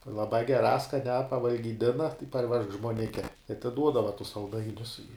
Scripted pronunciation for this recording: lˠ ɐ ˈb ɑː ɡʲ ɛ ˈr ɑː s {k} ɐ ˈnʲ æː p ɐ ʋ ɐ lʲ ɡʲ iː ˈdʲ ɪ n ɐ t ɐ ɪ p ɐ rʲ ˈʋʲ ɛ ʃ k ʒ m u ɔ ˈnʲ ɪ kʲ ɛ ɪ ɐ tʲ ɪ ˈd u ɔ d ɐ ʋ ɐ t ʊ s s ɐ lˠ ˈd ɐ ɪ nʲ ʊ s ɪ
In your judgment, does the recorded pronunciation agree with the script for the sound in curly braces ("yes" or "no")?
yes